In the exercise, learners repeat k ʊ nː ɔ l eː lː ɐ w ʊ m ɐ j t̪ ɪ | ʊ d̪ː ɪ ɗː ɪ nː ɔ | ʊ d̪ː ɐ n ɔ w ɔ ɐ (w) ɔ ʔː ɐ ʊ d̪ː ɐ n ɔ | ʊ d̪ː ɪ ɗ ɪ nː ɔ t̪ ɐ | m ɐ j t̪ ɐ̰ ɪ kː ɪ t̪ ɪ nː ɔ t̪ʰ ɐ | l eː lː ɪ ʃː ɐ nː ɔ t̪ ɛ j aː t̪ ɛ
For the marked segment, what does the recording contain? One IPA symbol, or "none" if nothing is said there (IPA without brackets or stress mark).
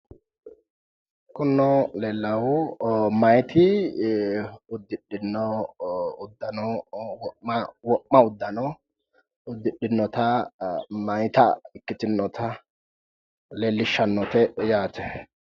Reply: w